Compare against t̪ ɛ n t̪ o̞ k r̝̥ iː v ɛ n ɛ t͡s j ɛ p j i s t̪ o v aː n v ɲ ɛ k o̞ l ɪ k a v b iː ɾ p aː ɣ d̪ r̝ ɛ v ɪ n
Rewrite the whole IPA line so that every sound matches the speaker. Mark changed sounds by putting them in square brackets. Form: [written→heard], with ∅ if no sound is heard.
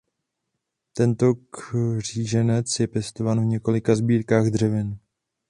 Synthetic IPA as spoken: t̪ ɛ n t̪ o̞ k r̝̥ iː [v→ʒ] ɛ n ɛ t͡s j ɛ p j [i→ɛ] s t̪ o v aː n v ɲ ɛ k o̞ l ɪ k a [v→z] b iː ɾ [p→k] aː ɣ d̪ r̝ ɛ v ɪ n